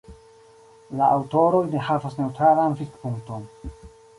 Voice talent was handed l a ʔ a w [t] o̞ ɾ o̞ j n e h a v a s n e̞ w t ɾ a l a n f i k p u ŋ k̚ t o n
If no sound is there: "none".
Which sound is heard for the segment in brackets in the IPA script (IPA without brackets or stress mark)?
t